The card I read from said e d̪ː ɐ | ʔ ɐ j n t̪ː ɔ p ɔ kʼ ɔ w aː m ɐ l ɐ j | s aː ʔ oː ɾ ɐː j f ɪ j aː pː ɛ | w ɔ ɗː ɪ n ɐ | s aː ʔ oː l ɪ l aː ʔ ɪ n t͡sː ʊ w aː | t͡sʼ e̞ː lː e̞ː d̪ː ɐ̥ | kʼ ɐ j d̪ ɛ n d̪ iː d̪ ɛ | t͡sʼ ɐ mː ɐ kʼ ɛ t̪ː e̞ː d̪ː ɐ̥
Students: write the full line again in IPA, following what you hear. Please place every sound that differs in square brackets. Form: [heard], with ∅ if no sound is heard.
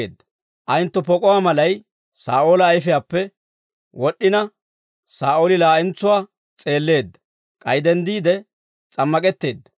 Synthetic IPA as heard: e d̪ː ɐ | ʔ ɐ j n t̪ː ɔ p ɔ kʼ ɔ w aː m ɐ l ɐ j | s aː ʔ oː [l] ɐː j f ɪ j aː pː ɛ | w ɔ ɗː ɪ n ɐ | s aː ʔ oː l ɪ l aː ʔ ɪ n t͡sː ʊ w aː | t͡sʼ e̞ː lː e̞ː d̪ː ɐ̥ | kʼ ɐ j d̪ ɛ n d̪ iː d̪ ɛ | t͡sʼ ɐ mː ɐ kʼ ɛ t̪ː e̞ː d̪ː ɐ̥

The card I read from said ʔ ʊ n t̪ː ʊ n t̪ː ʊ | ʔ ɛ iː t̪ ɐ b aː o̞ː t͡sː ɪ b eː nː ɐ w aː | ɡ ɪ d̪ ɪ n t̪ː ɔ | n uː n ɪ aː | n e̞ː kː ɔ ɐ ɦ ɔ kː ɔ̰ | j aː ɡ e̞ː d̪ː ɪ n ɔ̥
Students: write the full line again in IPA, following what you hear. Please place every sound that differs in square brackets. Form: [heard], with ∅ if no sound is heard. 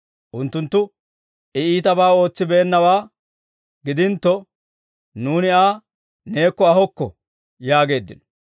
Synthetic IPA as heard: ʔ ʊ n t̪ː ʊ n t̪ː ʊ | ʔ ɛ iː t̪ ɐ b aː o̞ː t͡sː ɪ b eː nː ɐ w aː | ɡ ɪ d̪ ɪ n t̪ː ɔ | n uː n ɪ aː | n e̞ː kː ɔ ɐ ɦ ɔ kː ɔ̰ | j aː ɡ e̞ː d̪ː ɪ n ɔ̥

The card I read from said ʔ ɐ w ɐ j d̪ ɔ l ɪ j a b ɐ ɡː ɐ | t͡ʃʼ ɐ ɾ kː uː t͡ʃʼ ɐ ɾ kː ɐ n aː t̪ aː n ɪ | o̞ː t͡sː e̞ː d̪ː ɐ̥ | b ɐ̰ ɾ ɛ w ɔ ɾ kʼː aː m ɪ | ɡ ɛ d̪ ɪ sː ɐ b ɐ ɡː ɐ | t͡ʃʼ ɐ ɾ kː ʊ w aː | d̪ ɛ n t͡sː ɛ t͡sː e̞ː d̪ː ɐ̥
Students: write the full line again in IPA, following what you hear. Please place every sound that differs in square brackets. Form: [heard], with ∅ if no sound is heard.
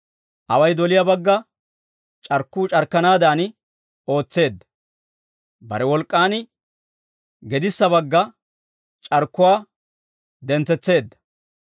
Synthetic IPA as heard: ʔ ɐ w ɐ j d̪ ɔ l ɪ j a b ɐ ɡː ɐ | t͡ʃʼ ɐ ɾ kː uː t͡ʃʼ ɐ ɾ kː ɐ n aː [d̪] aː n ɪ | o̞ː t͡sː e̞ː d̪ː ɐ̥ | b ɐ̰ ɾ ɛ w ɔ [l] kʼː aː [n] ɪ | ɡ ɛ d̪ ɪ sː ɐ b ɐ ɡː ɐ | t͡ʃʼ ɐ ɾ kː ʊ w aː | d̪ ɛ n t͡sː ɛ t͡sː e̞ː d̪ː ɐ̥

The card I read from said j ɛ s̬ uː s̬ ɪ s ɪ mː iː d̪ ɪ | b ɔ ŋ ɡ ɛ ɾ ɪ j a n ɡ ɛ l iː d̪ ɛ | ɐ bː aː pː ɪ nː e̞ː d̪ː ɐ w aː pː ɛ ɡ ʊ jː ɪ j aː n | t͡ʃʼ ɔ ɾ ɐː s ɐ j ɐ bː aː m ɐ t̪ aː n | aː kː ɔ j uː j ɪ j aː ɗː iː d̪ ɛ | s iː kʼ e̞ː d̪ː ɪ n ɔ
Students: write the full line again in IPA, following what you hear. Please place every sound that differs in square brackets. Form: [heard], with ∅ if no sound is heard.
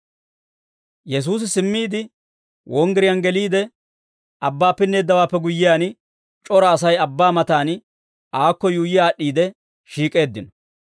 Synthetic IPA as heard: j ɛ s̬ uː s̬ ɪ s ɪ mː iː d̪ ɪ | [w] ɔ ŋ ɡ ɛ ɾ ɪ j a n ɡ ɛ l iː d̪ ɛ | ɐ bː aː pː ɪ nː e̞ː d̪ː ɐ w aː pː ɛ ɡ ʊ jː ɪ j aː n | t͡ʃʼ ɔ ɾ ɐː s ɐ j ɐ bː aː m ɐ t̪ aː n | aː kː ɔ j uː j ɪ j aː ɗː iː d̪ ɛ | [ʃ] iː kʼ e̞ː d̪ː ɪ n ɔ

